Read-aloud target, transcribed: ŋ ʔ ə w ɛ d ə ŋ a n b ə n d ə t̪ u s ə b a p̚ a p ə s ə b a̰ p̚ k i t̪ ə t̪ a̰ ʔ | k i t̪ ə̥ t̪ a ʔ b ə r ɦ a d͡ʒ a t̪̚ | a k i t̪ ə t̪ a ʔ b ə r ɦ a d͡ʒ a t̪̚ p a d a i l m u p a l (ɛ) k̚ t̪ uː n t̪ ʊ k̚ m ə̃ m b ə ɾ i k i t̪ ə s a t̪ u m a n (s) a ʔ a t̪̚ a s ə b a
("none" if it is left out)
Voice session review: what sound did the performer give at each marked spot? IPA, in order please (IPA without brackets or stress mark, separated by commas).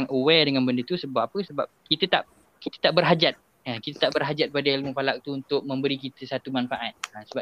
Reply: a, f